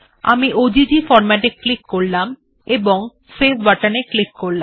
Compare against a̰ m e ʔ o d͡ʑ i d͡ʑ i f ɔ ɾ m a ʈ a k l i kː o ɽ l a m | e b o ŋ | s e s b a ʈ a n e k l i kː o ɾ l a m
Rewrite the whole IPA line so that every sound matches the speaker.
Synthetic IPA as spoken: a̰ m i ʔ o d͡ʑ i d͡ʑ i f ɔ ɾ m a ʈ e k l i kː o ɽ l a m | e b o ŋ | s e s b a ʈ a n e k l i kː o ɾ l a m

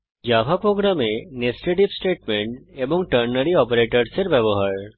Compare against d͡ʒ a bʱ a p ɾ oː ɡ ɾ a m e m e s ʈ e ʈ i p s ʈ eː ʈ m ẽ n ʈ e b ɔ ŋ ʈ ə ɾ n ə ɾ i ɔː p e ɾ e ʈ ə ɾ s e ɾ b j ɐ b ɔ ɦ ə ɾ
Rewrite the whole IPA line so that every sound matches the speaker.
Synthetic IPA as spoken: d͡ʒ a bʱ a p ɾ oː ɡ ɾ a m e n e s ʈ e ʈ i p s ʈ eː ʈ m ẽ ɳ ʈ e b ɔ ŋ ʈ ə ɾ n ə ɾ i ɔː p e ɾ e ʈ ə ɾ s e ɾ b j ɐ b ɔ ɦ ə ɾ

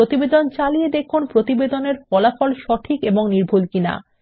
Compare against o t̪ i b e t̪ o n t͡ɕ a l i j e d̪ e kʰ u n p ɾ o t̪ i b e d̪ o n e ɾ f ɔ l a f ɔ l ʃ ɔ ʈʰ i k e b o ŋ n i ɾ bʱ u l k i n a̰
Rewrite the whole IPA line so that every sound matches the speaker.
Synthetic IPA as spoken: o t̪ i b e d̪ o n t͡ɕ a l i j e d̪ e kʰ u n p ɾ o t̪ i b e d̪ o n e ɾ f ɔ l a f ɔ l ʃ ɔ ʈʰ i k e b o ŋ n i ɾ bʱ u l k i n a̰

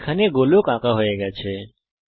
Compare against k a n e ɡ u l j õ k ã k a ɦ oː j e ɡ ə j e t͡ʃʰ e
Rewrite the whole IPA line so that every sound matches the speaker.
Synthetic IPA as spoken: kʰ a n e ɡ o l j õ k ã k a ɦ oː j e ɡ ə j a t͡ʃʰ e

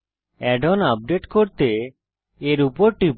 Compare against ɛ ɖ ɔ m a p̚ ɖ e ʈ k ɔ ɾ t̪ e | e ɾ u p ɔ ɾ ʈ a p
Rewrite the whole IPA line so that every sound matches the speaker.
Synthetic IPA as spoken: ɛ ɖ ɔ n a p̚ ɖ e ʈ k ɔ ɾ t̪ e | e ɾ u p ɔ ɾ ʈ i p

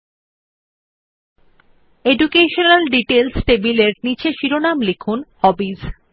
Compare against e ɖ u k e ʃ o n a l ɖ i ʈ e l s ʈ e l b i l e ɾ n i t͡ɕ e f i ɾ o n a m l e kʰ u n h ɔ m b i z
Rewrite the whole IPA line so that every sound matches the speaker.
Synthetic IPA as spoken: e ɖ u k e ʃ o n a l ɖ i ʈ e l s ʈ e b i l e ɾ n i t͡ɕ e ʃ i ɾ o n a m l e kʰ u n h ɔ b i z

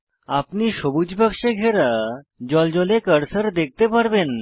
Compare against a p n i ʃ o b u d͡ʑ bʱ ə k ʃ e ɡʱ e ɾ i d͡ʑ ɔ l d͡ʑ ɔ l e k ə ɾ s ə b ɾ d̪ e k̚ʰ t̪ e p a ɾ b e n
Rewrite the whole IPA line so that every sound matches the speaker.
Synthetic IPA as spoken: a p n i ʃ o b u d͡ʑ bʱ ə k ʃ e ɡʱ e ɾ a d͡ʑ ɔ l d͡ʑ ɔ l e k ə ɾ s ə ɾ d̪ e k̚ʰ t̪ e p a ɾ b e n

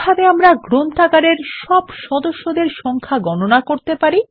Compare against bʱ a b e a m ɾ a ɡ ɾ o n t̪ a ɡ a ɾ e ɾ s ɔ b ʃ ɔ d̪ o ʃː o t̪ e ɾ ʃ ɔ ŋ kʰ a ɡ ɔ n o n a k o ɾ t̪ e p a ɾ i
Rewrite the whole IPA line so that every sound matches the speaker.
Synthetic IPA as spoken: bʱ a b e a m ɾ a ɡ ɾ o n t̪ a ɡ a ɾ e ɾ ʃ ɔ b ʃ ɔ d̪ o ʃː o d̪ e ɾ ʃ ɔ ŋ kʰ a ɡ ɔ n o n a k o ɾ t̪ e p a ɾ i

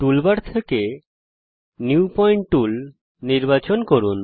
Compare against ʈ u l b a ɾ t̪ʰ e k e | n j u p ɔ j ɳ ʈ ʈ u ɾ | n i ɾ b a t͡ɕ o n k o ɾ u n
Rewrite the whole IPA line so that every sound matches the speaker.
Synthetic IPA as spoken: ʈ u l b a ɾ t̪ʰ e k e | n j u p ɔ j ɳ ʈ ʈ u l | n i ɾ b a t͡ɕ o n k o ɾ u n

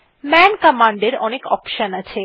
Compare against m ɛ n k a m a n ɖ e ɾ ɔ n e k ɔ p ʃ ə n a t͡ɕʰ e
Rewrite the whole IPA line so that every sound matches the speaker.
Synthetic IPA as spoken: m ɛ n k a m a ɳ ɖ e ɾ ɔ n e k ɔ p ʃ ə n a t͡ɕʰ e

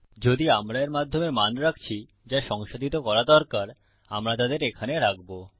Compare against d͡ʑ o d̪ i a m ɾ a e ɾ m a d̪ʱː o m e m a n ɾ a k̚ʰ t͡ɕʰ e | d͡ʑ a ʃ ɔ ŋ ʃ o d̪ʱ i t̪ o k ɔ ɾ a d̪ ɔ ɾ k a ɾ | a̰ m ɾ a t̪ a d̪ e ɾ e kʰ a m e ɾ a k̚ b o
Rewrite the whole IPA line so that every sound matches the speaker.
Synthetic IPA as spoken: d͡ʑ o d̪ i a m ɾ a e ɾ m a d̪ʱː o m e m a n ɾ a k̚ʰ t͡ɕʰ i | d͡ʑ a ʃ ɔ ŋ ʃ o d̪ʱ i t̪ o k ɔ ɾ a d̪ ɔ ɾ k a ɾ | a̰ m ɾ a t̪ a d̪ e ɾ e kʰ a n e ɾ a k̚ b o

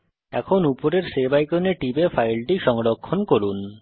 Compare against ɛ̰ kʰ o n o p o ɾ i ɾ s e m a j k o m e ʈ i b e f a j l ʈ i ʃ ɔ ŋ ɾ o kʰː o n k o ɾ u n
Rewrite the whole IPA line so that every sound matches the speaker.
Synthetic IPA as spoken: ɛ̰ kʰ o n u p o ɾ e ɾ s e b a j k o n e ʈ i b e f a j l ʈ i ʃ ɔ ŋ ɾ o kʰː o n k o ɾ u n

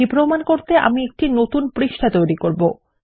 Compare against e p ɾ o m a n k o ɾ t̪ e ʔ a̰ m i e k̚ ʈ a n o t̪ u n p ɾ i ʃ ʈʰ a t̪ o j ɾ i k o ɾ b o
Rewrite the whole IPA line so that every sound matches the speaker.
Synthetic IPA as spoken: i p ɾ o m a n k o ɾ t̪ e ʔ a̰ m i e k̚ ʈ i n o t̪ u n p ɾ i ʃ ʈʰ a t̪ o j ɾ i k o ɾ b o

